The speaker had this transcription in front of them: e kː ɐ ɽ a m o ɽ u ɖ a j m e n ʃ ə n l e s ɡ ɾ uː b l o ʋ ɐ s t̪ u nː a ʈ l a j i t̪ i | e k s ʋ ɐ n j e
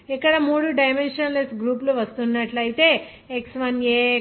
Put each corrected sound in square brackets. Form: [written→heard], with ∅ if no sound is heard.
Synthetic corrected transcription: e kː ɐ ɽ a m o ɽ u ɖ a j m e n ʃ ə n l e s ɡ ɾ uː [b→p] l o ʋ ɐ s t̪ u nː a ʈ l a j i t̪ [i→e] | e k s ʋ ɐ n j e